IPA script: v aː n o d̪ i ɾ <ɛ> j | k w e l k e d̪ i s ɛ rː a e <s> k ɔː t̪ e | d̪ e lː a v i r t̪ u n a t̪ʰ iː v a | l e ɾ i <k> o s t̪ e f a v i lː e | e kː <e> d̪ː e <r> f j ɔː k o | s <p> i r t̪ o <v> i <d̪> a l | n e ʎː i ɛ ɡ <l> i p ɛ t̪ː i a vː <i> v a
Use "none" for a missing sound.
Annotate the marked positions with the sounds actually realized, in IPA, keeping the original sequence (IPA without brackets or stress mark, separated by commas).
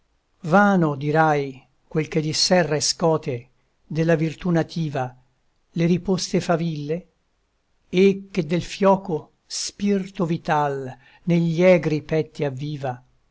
a, s, p, e, l, p, v, t̪, ɾ, iː